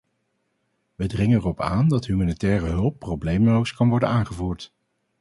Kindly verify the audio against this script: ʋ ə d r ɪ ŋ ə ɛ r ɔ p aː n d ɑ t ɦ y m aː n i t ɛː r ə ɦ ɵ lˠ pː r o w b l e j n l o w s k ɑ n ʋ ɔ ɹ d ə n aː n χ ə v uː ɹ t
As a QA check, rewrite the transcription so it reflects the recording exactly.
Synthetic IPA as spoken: ʋ ə d r ɪ ŋ ə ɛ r ɔ p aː n d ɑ t ɦ y m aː n i t ɛː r ə ɦ ɵ lˠ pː r o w b l e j m l o w s k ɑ n ʋ ɔ ɹ d ə n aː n χ ə v uː ɹ t